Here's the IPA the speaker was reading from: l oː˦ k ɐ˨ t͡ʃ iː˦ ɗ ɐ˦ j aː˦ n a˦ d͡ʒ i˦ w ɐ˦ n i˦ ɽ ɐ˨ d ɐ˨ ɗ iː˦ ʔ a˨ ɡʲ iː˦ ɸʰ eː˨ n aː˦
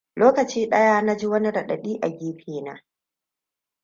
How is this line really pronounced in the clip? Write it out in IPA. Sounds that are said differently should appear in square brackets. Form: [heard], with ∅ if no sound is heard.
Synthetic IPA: l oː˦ k ɐ˨ t͡ʃ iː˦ ɗ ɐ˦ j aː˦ n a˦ d͡ʒ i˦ w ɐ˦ n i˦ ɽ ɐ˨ [ɗ] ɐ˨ ɗ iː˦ ʔ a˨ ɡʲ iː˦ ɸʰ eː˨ n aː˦

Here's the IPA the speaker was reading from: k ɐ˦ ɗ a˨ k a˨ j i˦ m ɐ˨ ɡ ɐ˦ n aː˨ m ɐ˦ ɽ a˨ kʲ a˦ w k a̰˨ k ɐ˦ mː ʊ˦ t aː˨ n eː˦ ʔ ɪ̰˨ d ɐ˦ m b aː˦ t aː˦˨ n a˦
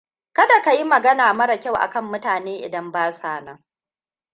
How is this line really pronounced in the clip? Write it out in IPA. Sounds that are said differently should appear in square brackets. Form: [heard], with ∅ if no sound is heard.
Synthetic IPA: k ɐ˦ [d] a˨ k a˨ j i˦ m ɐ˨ ɡ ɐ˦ n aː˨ m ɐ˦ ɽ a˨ kʲ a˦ w [ʔ] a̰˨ k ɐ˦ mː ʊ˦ t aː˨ n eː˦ ʔ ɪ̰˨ d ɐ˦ m b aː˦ [s] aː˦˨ n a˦

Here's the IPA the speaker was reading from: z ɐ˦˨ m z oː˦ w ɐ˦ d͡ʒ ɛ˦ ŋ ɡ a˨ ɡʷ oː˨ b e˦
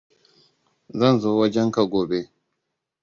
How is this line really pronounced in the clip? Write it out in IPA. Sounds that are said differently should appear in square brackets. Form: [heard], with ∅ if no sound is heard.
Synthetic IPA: z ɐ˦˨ [n] z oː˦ w ɐ˦ d͡ʒ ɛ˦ ŋ [k] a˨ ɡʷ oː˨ b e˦

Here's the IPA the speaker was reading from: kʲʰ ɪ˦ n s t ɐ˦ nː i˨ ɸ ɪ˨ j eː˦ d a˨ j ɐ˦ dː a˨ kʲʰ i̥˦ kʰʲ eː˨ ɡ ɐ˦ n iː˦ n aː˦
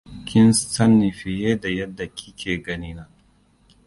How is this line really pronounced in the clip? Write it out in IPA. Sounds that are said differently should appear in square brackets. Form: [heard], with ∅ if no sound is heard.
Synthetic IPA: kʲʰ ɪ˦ n s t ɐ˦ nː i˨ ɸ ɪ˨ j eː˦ d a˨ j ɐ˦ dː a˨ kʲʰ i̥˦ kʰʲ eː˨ ɡ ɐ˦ n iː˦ n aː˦

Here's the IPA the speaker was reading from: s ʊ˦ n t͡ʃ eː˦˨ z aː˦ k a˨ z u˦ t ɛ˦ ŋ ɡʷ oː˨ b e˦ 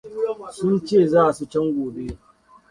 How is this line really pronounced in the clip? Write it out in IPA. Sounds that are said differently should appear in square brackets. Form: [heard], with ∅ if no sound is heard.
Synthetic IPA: s ʊ˦ n t͡ʃ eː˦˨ z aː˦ [ʔ] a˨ [s] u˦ [t͡ʃ] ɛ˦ ŋ ɡʷ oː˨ b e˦

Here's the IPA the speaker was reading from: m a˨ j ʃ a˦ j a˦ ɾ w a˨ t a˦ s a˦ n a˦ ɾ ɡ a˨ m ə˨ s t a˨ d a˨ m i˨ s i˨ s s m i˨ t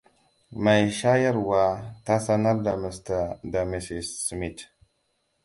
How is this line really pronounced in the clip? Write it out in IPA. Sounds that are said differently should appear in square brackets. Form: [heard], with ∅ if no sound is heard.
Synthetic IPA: m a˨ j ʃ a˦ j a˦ ɾ w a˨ t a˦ s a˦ n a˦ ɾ [d] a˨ m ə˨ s t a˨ d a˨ m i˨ s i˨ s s m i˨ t

